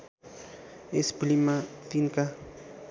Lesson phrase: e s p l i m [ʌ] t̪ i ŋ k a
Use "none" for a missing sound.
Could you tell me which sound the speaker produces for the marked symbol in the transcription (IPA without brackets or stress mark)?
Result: a